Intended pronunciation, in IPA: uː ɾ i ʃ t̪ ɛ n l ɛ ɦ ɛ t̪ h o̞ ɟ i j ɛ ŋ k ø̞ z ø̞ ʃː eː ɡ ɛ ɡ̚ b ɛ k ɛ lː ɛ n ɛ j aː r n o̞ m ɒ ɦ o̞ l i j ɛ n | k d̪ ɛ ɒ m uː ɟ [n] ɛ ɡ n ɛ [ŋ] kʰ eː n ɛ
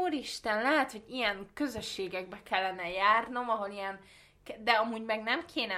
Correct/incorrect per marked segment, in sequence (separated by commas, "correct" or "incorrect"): incorrect, incorrect